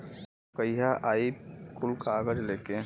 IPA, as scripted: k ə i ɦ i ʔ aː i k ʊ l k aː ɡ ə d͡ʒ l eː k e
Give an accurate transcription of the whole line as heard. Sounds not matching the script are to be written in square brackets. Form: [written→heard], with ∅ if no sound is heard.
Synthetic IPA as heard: k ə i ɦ [i→a] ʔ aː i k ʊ l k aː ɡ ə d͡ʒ l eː k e